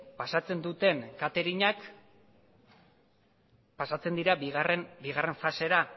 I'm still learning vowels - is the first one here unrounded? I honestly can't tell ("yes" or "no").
yes